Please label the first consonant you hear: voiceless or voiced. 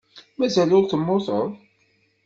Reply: voiced